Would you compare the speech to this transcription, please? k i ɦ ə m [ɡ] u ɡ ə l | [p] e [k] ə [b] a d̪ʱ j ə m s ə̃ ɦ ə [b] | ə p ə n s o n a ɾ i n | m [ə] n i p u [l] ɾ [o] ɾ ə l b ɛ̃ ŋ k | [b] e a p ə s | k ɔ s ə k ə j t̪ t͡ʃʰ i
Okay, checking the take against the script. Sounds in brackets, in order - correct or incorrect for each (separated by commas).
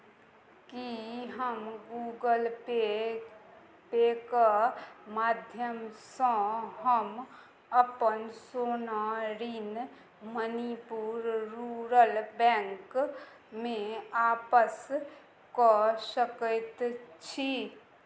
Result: correct, correct, correct, incorrect, incorrect, correct, incorrect, incorrect, incorrect